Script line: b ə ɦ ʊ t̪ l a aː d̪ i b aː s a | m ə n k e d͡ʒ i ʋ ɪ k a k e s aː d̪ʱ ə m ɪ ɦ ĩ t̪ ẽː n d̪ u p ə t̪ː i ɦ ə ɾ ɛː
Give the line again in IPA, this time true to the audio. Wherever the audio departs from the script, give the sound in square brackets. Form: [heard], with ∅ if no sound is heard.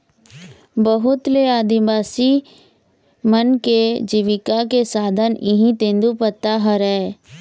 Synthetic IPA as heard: b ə ɦ ʊ t̪ l [e] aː d̪ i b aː s [i] | m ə n k e d͡ʒ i ʋ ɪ k a k e s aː d̪ʱ ə [n] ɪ ɦ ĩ t̪ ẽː n d̪ u p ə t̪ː [a] ɦ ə ɾ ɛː